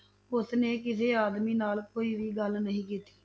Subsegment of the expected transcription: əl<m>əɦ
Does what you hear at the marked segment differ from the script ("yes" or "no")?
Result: yes